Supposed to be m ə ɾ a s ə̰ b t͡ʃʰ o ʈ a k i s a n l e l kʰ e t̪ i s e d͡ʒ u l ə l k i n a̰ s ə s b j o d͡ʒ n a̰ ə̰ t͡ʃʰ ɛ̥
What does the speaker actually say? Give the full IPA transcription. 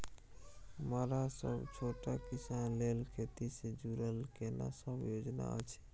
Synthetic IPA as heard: m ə ɾ a s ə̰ b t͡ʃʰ o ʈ a k i s a n l e l kʰ e t̪ i s e d͡ʒ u ɾ ə l k e n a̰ s ə b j o d͡ʒ n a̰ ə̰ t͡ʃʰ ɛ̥